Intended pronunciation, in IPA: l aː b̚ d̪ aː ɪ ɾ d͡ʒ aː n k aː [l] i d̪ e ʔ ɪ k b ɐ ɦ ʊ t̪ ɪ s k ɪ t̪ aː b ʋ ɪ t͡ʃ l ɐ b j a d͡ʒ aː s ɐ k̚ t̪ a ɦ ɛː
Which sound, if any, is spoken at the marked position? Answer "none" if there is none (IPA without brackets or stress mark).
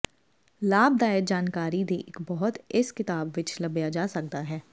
ɾ